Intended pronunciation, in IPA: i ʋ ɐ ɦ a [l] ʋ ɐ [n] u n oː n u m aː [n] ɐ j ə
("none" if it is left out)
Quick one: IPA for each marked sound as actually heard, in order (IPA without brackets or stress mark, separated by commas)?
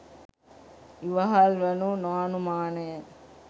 l, n, n